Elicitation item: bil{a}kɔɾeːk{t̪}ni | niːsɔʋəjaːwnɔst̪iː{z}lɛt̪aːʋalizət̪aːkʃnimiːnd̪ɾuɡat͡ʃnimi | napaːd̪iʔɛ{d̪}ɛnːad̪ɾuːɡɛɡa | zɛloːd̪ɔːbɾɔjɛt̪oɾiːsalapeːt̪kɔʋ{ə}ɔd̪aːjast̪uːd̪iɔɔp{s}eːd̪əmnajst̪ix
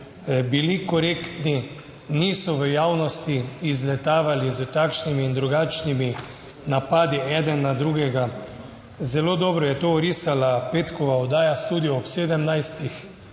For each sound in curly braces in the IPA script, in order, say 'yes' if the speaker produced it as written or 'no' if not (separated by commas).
no, yes, yes, yes, no, yes